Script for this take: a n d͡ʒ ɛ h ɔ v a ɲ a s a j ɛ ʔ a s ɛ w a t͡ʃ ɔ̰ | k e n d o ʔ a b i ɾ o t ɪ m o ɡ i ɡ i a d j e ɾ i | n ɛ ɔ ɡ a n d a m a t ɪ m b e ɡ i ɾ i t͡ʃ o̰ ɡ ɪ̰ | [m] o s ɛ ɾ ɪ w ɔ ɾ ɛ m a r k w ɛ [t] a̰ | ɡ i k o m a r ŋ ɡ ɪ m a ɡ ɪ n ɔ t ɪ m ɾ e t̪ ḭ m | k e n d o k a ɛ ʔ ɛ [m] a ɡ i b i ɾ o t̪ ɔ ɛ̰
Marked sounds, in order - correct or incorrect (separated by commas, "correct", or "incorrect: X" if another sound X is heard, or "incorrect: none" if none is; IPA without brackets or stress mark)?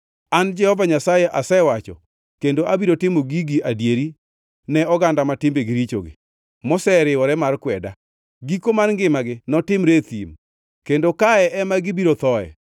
correct, incorrect: d, correct